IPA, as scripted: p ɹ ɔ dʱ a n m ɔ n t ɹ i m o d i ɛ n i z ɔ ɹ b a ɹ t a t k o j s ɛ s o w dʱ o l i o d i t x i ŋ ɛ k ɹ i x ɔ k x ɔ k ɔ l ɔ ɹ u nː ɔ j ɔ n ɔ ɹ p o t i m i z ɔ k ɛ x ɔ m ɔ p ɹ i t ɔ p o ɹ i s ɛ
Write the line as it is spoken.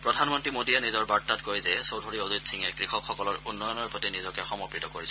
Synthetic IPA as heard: p ɹ ɔ dʱ a n m ɔ n t ɹ i m o d i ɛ n i z ɔ ɹ b a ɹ t a t k o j z ɛ s o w dʱ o ɹ i o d i t s i ŋ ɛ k ɹ i x ɔ k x ɔ k ɔ l ɔ ɹ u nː ɔ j ɔ n ɔ ɹ p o t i n i z ɔ k ɛ x ɔ m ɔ p ɹ i t ɔ k o ɹ i s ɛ